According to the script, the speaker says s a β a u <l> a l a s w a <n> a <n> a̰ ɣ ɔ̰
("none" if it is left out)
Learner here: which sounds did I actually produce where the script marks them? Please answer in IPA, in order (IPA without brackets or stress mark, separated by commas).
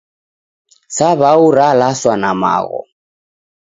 ɾ, n, m